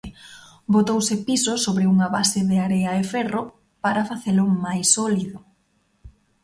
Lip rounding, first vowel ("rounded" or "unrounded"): rounded